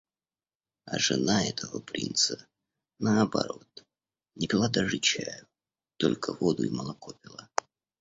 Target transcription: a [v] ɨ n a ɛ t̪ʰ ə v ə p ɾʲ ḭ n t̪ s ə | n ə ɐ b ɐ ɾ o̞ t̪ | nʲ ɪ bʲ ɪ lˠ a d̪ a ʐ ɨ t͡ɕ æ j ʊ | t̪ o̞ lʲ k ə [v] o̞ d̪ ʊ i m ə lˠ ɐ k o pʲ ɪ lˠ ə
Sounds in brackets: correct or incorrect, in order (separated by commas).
incorrect, correct